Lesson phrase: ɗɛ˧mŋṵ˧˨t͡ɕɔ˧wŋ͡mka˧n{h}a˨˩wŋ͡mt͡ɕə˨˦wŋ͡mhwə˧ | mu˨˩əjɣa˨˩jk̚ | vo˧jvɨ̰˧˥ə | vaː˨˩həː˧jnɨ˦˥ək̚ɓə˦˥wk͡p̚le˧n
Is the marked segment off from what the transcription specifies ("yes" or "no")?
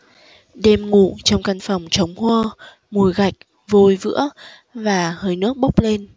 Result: yes